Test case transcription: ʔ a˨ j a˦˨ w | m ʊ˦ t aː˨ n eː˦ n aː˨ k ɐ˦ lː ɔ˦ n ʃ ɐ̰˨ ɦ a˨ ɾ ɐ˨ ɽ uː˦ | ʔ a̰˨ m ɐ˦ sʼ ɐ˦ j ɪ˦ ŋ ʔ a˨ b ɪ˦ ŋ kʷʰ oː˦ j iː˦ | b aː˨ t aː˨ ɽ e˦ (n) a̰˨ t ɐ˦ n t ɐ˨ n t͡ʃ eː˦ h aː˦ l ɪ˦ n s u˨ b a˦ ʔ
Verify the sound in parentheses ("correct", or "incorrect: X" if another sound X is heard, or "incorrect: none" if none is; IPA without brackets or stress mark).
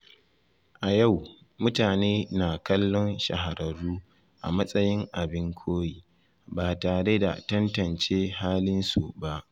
incorrect: d